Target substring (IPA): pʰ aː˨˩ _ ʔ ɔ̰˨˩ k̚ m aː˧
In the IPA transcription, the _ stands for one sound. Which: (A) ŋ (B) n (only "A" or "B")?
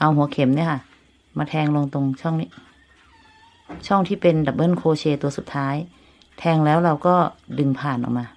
B